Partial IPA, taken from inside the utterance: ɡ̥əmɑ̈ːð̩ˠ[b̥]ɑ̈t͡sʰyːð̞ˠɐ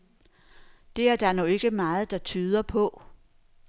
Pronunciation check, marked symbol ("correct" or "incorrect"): incorrect